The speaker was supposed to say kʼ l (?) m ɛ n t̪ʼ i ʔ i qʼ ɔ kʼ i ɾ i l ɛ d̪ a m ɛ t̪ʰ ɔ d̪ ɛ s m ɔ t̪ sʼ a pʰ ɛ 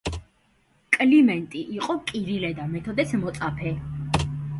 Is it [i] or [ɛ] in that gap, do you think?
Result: i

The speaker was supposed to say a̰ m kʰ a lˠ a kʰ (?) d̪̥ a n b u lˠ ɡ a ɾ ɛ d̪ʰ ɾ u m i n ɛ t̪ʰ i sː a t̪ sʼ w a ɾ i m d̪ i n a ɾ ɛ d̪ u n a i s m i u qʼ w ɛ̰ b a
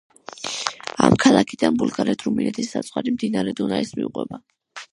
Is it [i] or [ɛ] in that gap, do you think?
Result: i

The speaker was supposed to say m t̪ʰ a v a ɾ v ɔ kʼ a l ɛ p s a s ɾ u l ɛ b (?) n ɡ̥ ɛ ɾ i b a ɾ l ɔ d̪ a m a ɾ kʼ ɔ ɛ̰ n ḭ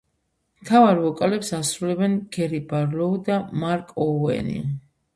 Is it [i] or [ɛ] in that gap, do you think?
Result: ɛ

